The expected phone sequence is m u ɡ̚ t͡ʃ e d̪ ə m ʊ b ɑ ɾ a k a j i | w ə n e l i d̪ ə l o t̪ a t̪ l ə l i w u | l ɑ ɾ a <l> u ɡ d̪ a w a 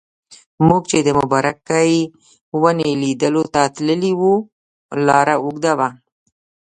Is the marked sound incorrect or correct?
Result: incorrect